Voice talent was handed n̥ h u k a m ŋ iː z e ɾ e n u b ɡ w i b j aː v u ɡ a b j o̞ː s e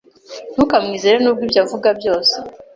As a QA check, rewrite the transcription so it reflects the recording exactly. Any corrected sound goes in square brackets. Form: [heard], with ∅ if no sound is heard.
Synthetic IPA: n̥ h u k a m ŋ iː z e ɾ e n u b ɡ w i b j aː v u ɡ a b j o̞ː s e